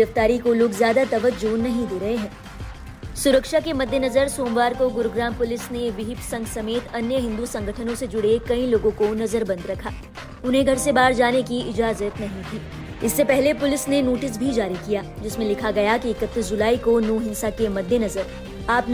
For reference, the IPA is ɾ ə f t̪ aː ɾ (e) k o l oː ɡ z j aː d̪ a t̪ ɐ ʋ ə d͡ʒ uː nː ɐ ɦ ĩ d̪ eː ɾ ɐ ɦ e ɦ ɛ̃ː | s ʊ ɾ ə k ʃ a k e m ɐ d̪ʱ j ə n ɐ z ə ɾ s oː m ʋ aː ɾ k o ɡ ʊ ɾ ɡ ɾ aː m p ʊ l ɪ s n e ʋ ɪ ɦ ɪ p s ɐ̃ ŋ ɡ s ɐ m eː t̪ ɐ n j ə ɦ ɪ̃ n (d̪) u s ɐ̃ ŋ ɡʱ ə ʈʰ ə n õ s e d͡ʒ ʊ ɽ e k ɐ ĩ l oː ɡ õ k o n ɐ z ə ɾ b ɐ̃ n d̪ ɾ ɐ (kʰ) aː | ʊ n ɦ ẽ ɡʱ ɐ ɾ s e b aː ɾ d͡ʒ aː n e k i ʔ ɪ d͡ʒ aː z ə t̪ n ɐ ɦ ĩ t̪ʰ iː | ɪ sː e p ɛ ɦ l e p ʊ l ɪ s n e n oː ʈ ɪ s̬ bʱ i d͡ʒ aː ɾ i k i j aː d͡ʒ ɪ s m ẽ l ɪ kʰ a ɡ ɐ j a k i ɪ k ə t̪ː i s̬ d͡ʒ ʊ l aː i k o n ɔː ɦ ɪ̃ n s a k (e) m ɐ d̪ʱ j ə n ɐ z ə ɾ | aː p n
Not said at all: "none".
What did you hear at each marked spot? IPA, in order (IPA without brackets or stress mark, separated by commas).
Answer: i, d̪, kʰ, e